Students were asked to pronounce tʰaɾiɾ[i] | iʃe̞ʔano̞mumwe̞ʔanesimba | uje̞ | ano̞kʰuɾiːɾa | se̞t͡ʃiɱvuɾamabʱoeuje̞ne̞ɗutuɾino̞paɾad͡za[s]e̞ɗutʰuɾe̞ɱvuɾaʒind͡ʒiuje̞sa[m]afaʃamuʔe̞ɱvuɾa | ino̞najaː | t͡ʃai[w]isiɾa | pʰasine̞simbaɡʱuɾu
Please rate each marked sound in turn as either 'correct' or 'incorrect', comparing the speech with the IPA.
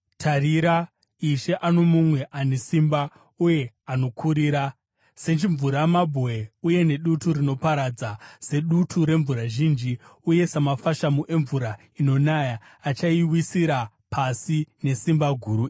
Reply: incorrect: a, correct, correct, correct

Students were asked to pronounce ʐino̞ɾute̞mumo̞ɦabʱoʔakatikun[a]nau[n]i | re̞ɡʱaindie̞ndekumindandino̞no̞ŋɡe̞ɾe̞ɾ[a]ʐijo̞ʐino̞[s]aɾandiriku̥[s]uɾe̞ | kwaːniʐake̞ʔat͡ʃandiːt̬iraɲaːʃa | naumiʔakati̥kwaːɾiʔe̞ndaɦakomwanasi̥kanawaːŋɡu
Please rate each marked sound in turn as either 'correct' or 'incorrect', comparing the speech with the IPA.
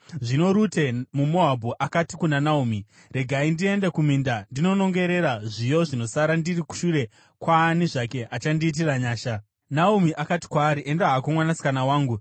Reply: correct, incorrect: m, correct, correct, incorrect: ʃ

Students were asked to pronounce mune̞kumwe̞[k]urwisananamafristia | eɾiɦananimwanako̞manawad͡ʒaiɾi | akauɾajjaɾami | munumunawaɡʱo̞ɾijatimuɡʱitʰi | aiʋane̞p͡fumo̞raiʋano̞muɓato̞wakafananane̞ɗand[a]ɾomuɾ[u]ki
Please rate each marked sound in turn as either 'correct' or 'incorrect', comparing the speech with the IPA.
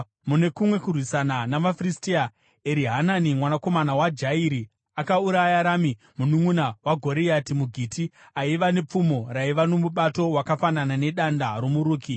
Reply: correct, correct, incorrect: uː

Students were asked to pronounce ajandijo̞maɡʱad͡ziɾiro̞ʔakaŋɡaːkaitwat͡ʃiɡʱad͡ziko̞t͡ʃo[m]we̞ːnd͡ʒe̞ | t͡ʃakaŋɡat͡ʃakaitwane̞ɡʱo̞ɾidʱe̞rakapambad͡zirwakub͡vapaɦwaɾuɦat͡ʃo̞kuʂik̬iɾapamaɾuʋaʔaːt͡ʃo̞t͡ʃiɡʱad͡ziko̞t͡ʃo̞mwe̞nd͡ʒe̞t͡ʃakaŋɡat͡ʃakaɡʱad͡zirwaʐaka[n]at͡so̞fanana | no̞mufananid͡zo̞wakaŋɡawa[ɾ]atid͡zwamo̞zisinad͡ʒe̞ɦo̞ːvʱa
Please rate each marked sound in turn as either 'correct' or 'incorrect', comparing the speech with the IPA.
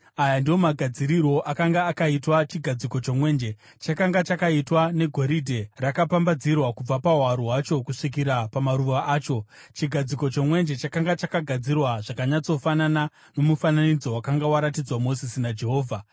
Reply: correct, incorrect: ɲ, correct

